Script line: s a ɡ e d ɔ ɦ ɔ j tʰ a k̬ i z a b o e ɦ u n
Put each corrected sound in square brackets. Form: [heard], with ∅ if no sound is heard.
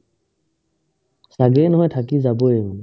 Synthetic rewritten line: s a ɡ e [n] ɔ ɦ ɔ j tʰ a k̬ i z a b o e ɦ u n

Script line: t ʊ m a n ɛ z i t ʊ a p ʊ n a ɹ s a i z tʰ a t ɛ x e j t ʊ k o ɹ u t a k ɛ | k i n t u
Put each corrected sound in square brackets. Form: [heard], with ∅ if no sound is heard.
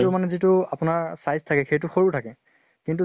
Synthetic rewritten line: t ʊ m a n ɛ z i t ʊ a p ʊ n a ɹ s a [j] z tʰ a [k] ɛ x e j t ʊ [x] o ɹ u [tʰ] a k ɛ | k i n t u

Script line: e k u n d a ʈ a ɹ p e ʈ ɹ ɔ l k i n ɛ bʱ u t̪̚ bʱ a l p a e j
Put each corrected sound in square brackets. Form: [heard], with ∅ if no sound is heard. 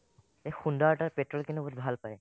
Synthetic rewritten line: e [x] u n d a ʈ a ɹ p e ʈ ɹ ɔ l k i n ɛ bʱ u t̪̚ bʱ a l p a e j

